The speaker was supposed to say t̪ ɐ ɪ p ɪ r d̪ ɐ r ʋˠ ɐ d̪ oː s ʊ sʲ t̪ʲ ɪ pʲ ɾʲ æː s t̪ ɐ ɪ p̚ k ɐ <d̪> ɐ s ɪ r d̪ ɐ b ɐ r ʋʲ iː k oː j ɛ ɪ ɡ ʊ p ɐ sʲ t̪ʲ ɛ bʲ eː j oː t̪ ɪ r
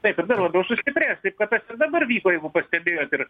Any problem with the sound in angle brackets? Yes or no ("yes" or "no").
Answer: yes